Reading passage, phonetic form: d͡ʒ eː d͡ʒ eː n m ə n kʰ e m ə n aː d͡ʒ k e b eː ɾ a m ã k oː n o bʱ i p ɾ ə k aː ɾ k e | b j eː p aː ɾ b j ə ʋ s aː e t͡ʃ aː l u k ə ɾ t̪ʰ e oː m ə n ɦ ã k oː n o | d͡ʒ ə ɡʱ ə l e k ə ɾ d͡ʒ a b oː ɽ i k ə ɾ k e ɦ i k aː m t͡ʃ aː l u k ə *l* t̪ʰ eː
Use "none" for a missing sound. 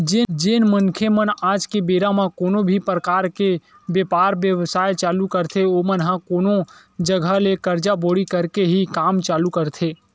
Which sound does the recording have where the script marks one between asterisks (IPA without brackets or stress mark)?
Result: ɾ